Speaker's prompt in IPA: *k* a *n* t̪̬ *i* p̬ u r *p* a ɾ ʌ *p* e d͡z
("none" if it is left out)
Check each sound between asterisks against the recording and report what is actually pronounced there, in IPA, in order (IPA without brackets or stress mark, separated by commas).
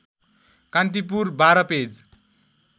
k, n, i, b, p